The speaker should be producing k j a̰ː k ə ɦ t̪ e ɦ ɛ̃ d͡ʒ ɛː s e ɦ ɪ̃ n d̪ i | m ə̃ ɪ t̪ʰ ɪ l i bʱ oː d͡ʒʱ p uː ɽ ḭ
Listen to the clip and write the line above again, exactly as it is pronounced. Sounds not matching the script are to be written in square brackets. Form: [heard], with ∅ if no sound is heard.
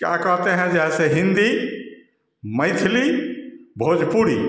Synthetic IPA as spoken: k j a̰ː k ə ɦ t̪ e ɦ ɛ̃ d͡ʒ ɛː s e ɦ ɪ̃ n d̪ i | m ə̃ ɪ t̪ʰ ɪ l i bʱ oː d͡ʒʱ p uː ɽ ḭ